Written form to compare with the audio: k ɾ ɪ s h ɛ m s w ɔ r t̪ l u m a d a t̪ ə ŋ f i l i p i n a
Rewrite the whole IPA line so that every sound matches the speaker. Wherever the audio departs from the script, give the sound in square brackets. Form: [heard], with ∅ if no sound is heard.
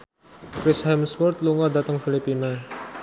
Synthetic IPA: k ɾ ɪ s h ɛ m s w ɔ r t̪ l u [ŋ] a d a t̪ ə ŋ f i l i p i n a